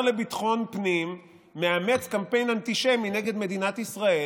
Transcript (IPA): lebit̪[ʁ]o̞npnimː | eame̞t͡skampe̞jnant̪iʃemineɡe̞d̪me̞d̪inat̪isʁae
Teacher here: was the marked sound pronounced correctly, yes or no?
no